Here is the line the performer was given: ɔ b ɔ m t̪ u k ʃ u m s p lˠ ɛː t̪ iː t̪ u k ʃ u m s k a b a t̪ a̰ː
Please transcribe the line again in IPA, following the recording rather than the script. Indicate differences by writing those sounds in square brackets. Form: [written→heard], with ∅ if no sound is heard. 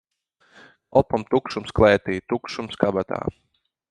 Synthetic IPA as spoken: ɔ [b→p] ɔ m t̪ u k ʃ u m s [p→k] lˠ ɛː t̪ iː t̪ u k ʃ u m s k a b a t̪ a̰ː